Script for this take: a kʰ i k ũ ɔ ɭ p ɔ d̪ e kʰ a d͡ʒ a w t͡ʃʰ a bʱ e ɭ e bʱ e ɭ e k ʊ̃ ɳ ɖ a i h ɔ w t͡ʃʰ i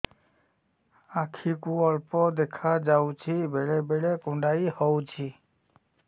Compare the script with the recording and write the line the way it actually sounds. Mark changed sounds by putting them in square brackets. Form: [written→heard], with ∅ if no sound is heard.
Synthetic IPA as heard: a kʰ i k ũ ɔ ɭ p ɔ d̪ e kʰ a d͡ʒ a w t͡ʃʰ [a→i] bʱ e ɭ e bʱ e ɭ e k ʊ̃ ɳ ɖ a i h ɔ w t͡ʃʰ i